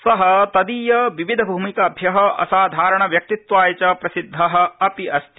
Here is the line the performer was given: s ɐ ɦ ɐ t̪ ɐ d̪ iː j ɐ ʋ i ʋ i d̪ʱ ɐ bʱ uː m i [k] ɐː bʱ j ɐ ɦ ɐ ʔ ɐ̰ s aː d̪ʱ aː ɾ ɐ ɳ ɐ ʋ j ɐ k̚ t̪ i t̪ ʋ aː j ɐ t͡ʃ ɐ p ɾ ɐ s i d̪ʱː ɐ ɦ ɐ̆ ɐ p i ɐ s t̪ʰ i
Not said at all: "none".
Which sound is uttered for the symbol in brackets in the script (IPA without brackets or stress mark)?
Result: k